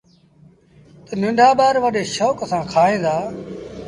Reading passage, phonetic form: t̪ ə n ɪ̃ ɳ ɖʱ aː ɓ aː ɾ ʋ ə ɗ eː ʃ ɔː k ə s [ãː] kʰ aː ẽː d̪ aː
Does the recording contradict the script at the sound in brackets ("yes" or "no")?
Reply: no